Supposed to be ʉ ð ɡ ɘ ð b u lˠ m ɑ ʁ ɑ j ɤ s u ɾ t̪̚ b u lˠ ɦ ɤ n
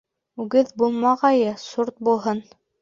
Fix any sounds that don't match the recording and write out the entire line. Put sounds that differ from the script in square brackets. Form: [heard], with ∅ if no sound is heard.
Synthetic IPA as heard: ʉ [∅] ɡ ɘ ð b u lˠ m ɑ ʁ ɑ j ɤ s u ɾ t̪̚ b u lˠ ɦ ɤ n